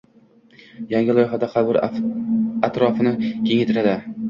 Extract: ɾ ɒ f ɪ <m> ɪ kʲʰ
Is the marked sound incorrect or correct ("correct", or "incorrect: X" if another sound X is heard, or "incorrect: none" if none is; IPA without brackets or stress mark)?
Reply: incorrect: n